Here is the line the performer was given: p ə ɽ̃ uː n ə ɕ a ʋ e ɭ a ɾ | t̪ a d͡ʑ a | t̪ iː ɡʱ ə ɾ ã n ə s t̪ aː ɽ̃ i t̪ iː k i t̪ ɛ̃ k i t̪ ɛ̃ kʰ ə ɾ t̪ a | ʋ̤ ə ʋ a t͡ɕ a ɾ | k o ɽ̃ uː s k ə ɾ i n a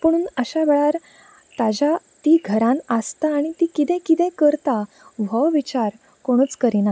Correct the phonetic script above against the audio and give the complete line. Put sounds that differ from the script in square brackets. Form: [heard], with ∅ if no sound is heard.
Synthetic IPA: p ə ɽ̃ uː n ə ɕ a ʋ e ɭ a ɾ | t̪ a d͡ʑ a | t̪ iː ɡʱ ə ɾ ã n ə s t̪ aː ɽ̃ i t̪ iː k i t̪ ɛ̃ k i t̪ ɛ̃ [k] ə ɾ t̪ a | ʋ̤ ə ʋ [i] t͡ɕ a ɾ | k o ɽ̃ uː [t͡s] k ə ɾ i n a

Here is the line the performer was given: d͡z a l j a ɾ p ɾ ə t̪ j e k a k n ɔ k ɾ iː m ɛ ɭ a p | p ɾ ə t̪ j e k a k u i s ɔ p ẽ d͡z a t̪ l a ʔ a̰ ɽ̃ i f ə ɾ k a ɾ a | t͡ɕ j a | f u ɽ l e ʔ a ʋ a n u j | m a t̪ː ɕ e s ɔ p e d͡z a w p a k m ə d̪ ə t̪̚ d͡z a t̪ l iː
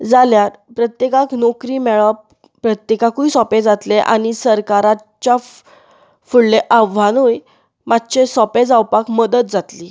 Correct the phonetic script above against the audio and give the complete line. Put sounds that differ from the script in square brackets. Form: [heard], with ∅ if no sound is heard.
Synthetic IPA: d͡z a l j a ɾ p ɾ ə t̪ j e k a k n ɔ k ɾ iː m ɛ ɭ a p | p ɾ ə t̪ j e k a k u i s ɔ p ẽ d͡z a t̪ l [e] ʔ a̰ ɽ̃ i [s] ə ɾ k a ɾ a | t͡ɕ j a | f u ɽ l e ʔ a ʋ a n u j | m a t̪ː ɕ e s ɔ p e d͡z a w p a k m ə d̪ ə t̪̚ d͡z a t̪ l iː

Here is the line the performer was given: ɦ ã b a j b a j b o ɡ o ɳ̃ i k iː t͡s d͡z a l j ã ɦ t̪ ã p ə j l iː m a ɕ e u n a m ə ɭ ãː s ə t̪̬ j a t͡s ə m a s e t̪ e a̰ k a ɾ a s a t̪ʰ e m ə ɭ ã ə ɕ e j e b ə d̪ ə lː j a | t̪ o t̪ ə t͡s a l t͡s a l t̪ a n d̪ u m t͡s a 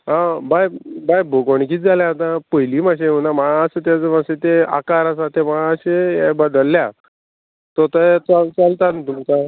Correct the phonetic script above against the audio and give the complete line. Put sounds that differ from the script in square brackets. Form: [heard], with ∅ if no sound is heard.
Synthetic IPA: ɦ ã b a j b a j b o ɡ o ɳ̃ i k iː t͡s d͡z a l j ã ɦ t̪ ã p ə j l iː m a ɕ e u n a m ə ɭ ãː s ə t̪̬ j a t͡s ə m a s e t̪ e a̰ k a ɾ a s a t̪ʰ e m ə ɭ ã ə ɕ e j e b ə d̪ ə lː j a | t̪ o t̪ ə t͡s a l t͡s a l t̪ a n [t̪] u m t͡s a

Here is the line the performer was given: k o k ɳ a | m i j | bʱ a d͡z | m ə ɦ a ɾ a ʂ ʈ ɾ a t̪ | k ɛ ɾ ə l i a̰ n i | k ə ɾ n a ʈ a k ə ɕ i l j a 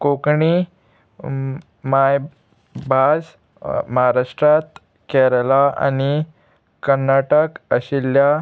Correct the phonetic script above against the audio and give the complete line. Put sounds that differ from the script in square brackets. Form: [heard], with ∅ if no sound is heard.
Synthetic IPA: k o k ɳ [i] | m [a] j | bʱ a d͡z | m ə ɦ a ɾ a ʂ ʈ ɾ a t̪ | k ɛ ɾ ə l [a] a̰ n i | k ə ɾ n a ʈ [ə] k ə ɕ i l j a

